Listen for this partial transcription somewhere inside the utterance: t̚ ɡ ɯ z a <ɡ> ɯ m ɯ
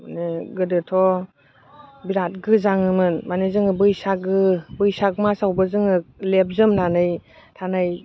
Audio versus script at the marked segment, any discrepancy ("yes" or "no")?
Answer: yes